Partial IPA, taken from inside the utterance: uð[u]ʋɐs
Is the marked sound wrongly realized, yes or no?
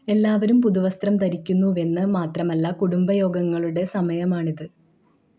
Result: no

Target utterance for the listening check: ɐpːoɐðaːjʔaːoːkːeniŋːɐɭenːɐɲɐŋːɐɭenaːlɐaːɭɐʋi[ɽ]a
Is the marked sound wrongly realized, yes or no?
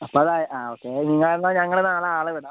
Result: no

